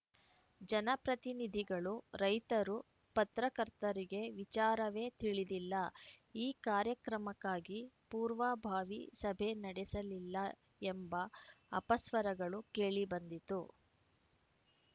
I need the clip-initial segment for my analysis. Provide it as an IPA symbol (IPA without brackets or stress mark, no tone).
d͡ʒ